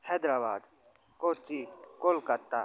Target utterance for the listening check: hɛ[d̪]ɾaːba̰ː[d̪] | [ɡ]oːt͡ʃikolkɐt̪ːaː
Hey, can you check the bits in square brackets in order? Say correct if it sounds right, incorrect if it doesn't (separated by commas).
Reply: correct, correct, incorrect